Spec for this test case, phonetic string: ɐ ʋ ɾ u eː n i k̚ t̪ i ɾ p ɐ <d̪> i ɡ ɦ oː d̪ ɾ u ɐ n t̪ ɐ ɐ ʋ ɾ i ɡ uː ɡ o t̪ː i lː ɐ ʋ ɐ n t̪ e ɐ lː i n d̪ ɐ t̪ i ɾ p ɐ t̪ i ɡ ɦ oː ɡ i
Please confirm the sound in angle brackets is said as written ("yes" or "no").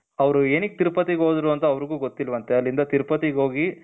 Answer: no